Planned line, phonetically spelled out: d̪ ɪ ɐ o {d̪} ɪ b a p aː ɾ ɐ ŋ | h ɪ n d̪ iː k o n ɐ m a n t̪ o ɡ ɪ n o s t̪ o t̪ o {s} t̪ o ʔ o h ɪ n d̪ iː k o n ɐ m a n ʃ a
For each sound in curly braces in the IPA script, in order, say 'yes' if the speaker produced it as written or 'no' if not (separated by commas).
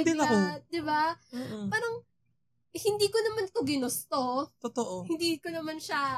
yes, no